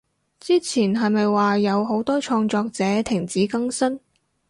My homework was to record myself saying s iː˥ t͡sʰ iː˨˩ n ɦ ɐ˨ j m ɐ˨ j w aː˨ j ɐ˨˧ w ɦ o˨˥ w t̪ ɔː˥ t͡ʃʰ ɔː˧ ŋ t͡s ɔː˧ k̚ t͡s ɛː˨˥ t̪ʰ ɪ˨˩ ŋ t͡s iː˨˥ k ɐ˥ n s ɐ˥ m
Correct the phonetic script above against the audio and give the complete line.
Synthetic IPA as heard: t͡s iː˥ t͡sʰ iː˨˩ n ɦ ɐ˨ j m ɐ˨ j w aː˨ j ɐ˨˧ w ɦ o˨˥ w t̪ ɔː˥ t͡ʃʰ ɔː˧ ŋ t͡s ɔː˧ k̚ t͡s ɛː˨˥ t̪ʰ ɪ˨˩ ŋ t͡s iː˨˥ k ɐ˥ ŋ s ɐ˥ n